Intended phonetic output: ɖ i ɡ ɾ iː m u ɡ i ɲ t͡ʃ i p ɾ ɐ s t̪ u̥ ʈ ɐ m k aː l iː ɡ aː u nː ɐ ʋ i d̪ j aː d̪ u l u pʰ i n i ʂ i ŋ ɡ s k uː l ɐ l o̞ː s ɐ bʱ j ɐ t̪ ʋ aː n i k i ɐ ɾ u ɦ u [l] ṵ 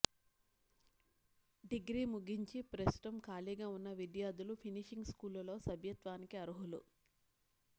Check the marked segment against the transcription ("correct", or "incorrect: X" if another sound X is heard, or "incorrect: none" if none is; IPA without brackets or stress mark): correct